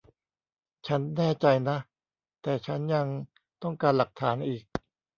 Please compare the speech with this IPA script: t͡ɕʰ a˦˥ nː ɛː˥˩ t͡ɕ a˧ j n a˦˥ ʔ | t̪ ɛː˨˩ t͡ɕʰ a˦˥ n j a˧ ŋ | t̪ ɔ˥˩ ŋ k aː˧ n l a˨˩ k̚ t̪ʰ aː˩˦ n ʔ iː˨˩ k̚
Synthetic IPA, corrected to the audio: t͡ɕʰ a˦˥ nː ɛː˥˩ t͡ɕ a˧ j n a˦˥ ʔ | t̪ ɛː˨˩ t͡ɕʰ a˦˥ n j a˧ ŋ | t̪ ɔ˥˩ ŋ k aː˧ n l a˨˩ k̚ t̪ʰ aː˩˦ n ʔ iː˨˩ k̚